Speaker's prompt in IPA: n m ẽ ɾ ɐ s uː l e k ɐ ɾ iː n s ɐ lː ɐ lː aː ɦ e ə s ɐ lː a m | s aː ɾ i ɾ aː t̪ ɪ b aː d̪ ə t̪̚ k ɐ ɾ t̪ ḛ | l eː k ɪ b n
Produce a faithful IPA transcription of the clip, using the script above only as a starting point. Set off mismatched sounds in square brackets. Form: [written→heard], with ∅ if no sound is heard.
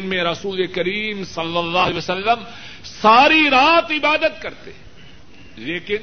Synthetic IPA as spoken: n m ẽ ɾ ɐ s uː l e k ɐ ɾ iː [n→m] s ɐ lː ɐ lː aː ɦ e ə s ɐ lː [a→ə] m | s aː ɾ i ɾ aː t̪ ɪ b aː d̪ ə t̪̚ k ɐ ɾ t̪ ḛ | l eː k ɪ [b→∅] n